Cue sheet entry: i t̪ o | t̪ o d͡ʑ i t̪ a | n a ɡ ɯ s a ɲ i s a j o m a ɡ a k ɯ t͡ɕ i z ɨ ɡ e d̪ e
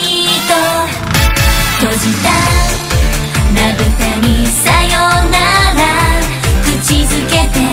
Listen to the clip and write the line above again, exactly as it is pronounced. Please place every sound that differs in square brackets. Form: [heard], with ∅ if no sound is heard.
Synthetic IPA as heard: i t̪ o | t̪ o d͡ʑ i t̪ a | n a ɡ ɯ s a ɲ i s a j o [n] a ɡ a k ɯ t͡ɕ i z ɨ [k] e [t̪] e